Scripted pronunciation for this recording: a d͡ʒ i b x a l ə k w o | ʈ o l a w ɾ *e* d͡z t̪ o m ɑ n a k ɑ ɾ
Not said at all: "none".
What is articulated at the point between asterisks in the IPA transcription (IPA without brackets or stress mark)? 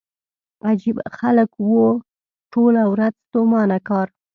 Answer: a